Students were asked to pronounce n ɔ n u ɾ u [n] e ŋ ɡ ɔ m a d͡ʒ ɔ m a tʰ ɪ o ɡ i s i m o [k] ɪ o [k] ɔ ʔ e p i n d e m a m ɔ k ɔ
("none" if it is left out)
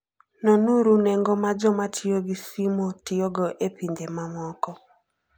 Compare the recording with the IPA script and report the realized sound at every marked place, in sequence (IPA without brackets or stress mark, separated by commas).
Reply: n, t, ɡ